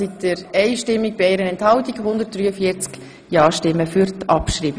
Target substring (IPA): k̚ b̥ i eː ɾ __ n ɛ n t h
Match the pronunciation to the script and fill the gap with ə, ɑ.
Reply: ə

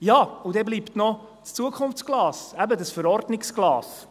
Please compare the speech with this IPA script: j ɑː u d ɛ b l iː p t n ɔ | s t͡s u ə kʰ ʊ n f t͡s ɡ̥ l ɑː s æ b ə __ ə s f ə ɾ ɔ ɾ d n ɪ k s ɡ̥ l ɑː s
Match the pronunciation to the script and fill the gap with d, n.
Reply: d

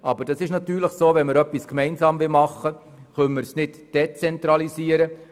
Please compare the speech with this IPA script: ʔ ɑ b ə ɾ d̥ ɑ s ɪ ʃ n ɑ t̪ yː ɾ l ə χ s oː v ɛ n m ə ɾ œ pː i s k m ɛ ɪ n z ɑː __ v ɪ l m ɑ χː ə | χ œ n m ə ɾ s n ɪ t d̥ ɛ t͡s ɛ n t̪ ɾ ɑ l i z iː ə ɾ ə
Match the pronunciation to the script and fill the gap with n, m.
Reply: m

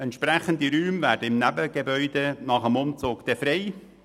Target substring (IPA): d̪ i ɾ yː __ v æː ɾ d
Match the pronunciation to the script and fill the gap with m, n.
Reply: m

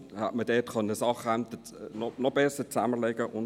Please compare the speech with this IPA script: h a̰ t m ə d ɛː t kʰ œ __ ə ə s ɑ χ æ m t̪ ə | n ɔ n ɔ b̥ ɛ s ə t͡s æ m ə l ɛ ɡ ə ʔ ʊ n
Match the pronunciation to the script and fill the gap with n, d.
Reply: n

